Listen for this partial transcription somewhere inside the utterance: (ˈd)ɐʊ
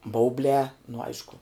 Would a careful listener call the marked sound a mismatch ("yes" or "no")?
yes